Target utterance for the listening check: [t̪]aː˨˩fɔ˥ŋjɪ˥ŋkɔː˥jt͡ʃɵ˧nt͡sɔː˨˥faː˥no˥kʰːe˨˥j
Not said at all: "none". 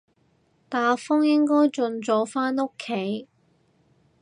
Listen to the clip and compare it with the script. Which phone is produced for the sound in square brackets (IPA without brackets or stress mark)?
t̪